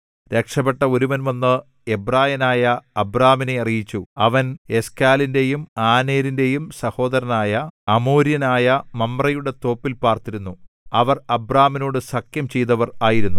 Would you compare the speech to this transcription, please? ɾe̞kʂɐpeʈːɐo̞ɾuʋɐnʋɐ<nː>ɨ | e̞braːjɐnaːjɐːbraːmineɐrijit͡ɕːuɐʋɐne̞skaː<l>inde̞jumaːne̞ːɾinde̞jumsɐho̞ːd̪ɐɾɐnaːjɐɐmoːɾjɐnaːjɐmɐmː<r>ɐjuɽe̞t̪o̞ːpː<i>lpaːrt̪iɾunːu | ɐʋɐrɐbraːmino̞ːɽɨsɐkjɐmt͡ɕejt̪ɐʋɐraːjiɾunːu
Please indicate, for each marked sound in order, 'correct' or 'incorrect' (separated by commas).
correct, correct, correct, correct